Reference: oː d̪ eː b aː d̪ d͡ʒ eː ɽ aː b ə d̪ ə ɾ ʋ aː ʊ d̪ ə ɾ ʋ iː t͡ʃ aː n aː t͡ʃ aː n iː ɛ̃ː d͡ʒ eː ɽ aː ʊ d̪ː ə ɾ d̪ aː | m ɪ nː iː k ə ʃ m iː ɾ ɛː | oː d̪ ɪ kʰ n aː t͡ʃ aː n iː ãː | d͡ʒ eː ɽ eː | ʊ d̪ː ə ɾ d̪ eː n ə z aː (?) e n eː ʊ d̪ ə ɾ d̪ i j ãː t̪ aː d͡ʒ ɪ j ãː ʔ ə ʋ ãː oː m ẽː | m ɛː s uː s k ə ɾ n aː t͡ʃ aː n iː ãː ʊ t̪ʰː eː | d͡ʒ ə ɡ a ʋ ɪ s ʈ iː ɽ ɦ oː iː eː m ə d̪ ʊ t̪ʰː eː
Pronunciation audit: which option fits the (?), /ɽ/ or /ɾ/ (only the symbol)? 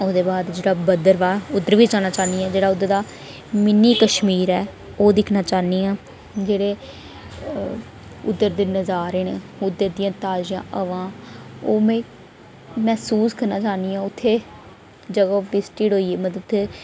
ɾ